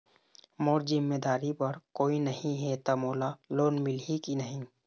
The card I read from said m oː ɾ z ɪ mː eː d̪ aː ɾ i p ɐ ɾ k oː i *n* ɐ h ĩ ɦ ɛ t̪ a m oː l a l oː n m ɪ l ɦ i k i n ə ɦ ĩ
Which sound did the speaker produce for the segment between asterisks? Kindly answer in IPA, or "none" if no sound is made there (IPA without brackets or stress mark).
n